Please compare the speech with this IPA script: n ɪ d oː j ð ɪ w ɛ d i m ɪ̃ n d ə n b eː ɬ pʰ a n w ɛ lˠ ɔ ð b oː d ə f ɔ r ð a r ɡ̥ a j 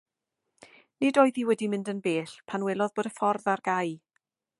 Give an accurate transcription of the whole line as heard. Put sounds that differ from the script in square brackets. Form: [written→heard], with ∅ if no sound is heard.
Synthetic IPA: n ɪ d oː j ð [ɪ→i] w ɛ d i m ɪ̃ n d ə n b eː ɬ pʰ a n w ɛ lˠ ɔ ð b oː d ə f ɔ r ð a r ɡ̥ a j